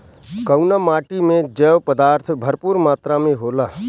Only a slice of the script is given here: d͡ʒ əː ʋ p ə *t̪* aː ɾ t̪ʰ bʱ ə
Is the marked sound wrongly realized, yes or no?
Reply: yes